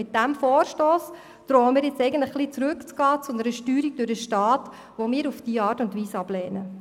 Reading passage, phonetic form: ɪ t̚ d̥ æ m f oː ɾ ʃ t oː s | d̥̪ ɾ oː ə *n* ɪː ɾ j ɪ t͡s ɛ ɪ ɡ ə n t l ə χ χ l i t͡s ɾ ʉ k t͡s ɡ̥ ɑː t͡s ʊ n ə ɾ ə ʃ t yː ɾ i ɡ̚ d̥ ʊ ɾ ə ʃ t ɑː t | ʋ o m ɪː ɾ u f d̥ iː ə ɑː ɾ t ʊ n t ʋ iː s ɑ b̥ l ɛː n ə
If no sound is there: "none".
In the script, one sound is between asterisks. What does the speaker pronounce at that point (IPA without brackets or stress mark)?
m